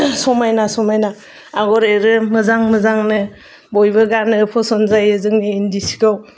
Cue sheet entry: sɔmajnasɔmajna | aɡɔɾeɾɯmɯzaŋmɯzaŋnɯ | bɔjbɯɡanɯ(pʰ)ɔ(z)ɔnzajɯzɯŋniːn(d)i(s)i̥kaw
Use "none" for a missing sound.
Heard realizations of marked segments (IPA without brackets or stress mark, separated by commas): pʰ, s, d, s